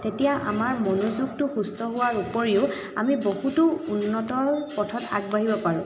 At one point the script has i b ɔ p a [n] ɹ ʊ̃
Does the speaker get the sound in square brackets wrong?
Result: yes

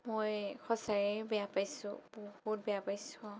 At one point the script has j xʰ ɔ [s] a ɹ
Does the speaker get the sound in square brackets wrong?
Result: no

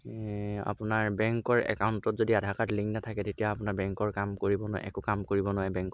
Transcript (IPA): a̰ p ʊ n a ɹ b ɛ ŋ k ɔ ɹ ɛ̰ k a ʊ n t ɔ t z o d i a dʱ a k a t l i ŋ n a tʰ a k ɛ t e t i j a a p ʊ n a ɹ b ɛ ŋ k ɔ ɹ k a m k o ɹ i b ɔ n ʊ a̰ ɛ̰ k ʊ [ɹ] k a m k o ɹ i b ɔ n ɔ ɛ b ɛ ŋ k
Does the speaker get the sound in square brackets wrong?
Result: yes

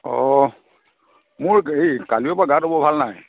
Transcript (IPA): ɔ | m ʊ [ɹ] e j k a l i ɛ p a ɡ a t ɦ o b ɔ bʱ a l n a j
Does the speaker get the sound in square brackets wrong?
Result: no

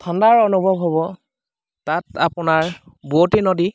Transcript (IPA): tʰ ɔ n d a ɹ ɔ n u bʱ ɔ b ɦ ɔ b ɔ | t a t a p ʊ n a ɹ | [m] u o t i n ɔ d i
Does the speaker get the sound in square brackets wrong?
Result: yes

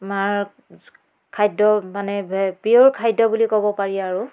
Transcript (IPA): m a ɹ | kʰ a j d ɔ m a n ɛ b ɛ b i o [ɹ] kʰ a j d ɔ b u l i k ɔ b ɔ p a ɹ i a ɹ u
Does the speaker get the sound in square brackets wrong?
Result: no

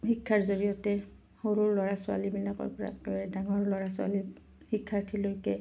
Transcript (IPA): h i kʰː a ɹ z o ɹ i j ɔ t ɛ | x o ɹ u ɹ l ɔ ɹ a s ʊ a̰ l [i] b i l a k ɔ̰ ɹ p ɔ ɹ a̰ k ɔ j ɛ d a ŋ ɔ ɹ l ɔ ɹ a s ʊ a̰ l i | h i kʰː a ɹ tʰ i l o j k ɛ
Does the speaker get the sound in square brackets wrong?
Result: no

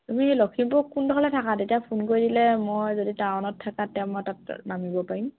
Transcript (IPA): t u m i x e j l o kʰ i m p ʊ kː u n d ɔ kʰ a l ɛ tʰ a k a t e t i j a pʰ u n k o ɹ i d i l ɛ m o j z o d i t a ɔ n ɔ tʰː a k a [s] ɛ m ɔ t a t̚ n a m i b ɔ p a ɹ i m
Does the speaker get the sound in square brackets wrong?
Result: yes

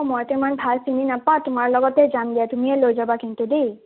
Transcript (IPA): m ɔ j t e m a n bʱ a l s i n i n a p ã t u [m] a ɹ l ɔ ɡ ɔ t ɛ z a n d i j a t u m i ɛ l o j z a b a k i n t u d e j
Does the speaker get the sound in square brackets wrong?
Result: no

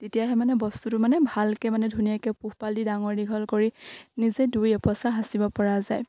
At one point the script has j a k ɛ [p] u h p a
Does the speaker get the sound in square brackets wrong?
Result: no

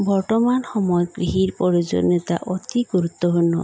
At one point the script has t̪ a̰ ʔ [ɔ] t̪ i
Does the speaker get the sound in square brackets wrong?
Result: no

